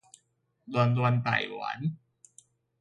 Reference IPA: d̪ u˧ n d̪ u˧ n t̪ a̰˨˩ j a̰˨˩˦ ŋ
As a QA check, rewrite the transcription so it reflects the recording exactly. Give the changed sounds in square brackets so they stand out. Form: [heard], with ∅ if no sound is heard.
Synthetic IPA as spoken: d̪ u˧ n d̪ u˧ n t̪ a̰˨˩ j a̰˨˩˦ [n]